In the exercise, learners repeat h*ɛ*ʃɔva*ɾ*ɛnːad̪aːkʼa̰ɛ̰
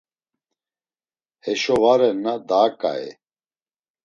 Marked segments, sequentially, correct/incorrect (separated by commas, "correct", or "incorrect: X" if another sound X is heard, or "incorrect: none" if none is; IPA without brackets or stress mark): correct, correct